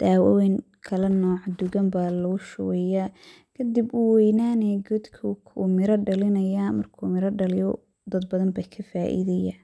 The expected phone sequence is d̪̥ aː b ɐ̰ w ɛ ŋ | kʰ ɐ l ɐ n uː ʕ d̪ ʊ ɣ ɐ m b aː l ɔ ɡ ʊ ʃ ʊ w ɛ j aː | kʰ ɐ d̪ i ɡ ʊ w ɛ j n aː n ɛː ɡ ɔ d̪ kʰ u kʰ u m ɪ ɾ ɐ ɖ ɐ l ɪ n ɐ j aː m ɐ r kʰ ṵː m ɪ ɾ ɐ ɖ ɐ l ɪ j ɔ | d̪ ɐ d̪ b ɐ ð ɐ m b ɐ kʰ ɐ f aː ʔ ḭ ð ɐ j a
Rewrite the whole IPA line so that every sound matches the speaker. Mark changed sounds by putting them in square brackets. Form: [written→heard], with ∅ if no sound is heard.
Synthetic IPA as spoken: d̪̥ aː [b→w] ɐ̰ w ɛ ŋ | kʰ ɐ l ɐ n [uː→ɔː] ʕ d̪ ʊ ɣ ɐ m b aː l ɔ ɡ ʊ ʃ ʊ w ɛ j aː | kʰ ɐ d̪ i [ɡ→b] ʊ w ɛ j n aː n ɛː ɡ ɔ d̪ kʰ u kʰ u m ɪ ɾ ɐ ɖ ɐ l ɪ n ɐ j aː m ɐ r kʰ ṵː m ɪ ɾ ɐ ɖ ɐ l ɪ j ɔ | d̪ ɐ d̪ b ɐ ð ɐ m b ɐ kʰ ɐ f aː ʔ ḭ ð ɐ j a